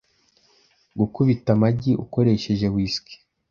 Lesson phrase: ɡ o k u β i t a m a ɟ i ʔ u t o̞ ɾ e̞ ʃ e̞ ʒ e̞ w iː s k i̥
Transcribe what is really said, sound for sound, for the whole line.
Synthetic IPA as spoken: ɡ u k u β i t a m a ɟ i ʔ u k o̞ ɾ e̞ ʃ e̞ ʒ e̞ w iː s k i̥